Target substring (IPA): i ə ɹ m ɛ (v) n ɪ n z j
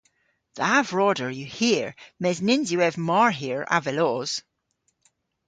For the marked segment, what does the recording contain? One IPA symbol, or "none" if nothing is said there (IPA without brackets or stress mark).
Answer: z